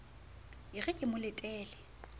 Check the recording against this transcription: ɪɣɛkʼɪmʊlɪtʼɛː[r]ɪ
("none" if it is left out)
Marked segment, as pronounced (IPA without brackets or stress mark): l